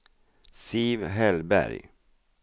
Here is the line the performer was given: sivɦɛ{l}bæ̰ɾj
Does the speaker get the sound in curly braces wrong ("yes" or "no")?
no